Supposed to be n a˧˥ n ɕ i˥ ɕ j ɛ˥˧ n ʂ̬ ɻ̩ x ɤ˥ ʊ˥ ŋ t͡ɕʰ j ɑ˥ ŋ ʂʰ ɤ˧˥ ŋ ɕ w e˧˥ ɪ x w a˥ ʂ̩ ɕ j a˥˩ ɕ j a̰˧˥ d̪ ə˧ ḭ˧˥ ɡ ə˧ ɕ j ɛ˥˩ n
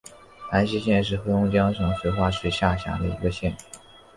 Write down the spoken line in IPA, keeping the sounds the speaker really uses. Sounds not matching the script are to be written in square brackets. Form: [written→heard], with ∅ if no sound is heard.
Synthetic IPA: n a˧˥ n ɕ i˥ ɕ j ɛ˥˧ n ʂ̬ ɻ̩ x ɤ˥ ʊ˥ ŋ [t͡ɕʰ→t͡ɕ] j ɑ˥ ŋ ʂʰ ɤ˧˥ ŋ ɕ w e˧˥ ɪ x w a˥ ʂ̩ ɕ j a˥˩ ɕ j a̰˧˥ d̪ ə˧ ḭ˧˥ ɡ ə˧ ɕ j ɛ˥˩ n

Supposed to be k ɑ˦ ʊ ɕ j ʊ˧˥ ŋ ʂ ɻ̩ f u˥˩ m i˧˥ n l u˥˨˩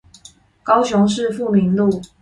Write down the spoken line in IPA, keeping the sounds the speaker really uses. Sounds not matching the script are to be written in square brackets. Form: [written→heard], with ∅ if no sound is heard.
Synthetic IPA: k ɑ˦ ʊ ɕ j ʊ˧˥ ŋ ʂ ɻ̩ f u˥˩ m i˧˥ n l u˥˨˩

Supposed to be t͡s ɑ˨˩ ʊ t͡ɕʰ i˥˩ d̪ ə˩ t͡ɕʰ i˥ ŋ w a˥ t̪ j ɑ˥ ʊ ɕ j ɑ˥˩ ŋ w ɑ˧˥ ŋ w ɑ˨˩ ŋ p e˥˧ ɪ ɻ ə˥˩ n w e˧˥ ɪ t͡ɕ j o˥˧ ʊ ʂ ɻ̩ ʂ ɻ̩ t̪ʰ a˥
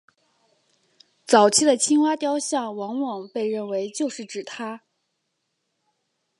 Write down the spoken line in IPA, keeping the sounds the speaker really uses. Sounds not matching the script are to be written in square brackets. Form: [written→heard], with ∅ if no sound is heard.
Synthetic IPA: t͡s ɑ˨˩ ʊ t͡ɕʰ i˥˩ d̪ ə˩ t͡ɕʰ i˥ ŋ w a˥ t̪ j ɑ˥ ʊ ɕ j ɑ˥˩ ŋ w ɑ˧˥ ŋ w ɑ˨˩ ŋ p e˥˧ ɪ ɻ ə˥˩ n w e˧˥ ɪ t͡ɕ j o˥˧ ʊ ʂ ɻ̩ [ʂ→ʈ͡ʂ] ɻ̩ t̪ʰ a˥

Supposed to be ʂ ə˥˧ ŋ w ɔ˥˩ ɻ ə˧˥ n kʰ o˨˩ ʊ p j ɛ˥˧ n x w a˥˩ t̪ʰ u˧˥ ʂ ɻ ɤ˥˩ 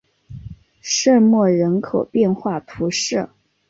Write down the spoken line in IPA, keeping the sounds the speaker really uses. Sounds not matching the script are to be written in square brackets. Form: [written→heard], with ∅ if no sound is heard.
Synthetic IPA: ʂ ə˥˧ [ŋ→m] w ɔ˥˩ ɻ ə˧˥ n kʰ o˨˩ ʊ p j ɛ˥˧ n x w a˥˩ t̪ʰ u˧˥ ʂ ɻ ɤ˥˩

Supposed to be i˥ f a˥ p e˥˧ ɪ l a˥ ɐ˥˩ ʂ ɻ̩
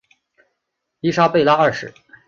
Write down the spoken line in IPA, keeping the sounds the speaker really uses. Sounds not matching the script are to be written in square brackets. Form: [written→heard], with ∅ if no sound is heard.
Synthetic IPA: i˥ [f→ʂ] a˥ p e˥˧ ɪ l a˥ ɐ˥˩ ʂ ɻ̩

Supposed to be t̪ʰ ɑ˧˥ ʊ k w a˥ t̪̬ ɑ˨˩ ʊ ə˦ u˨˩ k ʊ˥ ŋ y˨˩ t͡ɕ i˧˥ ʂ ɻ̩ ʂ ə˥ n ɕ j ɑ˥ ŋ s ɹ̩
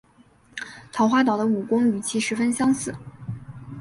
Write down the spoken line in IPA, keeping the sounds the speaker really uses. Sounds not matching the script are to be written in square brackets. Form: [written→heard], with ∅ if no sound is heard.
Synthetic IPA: t̪ʰ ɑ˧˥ ʊ [k→x] w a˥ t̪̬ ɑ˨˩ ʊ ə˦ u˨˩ k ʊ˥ ŋ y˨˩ [t͡ɕ→t͡ɕʰ] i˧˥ ʂ ɻ̩ [ʂ→f] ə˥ n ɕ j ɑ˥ ŋ s ɹ̩

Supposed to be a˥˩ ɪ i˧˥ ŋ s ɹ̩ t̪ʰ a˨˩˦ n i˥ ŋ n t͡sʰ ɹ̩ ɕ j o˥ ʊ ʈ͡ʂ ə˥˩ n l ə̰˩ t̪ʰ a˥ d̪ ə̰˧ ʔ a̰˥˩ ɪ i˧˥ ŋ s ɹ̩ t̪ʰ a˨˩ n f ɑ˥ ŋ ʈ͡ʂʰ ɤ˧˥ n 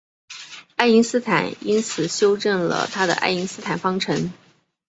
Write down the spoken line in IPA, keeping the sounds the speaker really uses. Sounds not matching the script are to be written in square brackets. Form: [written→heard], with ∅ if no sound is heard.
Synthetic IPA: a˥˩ ɪ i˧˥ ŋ s ɹ̩ t̪ʰ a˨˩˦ n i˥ [ŋ→∅] n t͡sʰ ɹ̩ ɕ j o˥ ʊ ʈ͡ʂ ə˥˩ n l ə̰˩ t̪ʰ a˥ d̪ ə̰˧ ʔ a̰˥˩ ɪ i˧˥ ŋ s ɹ̩ t̪ʰ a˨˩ n f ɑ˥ ŋ ʈ͡ʂʰ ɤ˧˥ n

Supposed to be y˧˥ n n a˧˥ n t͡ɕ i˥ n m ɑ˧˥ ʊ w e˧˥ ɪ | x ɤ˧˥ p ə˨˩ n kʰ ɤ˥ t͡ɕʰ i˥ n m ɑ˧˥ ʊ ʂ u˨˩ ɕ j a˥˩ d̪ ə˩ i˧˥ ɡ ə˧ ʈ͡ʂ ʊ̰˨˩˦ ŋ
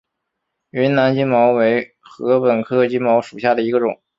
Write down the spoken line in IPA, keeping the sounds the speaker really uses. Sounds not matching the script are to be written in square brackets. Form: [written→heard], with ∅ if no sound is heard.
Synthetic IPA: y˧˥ n n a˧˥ n t͡ɕ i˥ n m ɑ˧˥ ʊ w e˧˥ ɪ | x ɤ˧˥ p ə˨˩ n kʰ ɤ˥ [t͡ɕʰ→t͡ɕ] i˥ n m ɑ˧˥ ʊ ʂ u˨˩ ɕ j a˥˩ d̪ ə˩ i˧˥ ɡ ə˧ ʈ͡ʂ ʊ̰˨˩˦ ŋ

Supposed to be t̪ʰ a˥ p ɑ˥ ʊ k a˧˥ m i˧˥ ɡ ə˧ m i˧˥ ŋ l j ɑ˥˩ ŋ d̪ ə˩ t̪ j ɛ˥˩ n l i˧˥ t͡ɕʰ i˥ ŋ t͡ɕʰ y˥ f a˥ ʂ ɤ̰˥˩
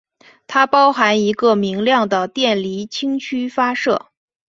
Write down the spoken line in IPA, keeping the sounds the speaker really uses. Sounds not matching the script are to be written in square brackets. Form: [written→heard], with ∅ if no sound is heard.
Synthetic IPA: t̪ʰ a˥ p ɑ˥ ʊ [k→x] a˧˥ [m→n] i˧˥ ɡ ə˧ m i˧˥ ŋ l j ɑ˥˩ ŋ d̪ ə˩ t̪ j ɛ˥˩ n l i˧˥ t͡ɕʰ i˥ ŋ t͡ɕʰ y˥ f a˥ ʂ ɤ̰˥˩

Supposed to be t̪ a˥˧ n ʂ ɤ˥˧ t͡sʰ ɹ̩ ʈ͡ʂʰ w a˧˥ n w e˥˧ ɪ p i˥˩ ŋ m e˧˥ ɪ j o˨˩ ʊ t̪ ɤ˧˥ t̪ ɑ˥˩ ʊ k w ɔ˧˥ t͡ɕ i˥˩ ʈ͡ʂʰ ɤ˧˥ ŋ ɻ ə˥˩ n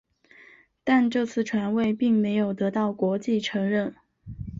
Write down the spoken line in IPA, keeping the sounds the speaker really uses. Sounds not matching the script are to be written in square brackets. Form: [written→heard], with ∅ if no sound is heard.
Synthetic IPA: t̪ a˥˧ n [ʂ→ʈ͡ʂ] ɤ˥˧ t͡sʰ ɹ̩ ʈ͡ʂʰ w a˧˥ n w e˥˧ ɪ p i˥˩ ŋ m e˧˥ ɪ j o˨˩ ʊ t̪ ɤ˧˥ t̪ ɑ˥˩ ʊ k w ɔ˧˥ t͡ɕ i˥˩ ʈ͡ʂʰ ɤ˧˥ ŋ ɻ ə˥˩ n

